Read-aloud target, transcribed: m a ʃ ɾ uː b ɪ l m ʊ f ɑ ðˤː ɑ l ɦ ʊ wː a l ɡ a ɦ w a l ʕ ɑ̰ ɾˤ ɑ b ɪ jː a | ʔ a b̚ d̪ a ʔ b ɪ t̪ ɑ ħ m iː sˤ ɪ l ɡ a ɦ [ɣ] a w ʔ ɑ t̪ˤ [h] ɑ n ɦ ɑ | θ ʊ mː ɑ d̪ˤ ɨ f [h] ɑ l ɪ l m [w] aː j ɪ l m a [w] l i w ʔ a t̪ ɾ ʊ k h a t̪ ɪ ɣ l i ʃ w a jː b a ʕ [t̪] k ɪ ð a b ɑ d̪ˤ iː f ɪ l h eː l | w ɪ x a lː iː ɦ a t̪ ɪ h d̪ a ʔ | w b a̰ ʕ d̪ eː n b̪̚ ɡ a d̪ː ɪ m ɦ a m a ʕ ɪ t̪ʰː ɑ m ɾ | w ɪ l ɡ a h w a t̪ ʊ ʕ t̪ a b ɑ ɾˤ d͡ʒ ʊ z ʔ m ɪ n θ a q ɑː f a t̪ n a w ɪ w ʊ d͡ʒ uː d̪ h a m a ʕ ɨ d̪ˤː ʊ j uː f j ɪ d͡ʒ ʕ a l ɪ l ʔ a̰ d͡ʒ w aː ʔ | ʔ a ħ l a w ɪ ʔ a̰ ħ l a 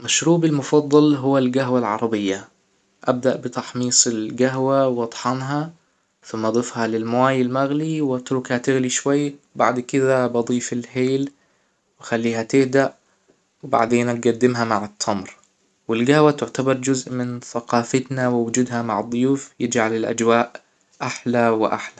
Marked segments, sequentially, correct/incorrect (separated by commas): incorrect, incorrect, correct, correct, incorrect, incorrect